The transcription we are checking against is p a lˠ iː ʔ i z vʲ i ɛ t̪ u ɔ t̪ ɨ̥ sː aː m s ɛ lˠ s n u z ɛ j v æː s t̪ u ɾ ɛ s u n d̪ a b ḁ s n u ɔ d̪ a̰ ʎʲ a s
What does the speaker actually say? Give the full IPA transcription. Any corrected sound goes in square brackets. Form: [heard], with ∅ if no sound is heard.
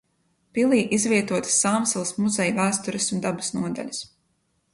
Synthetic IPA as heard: p [i] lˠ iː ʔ i z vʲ i ɛ t̪ u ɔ t̪ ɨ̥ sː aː m s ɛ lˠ s [m] u z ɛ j v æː s t̪ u ɾ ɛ s u n d̪ a b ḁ s n u ɔ d̪ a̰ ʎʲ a s